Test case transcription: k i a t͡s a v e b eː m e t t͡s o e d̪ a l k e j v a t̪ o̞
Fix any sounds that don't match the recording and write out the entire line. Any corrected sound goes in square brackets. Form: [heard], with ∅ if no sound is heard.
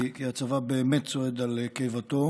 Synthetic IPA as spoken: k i a t͡s a v [a] b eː m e t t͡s o e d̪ a l k e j v a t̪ o̞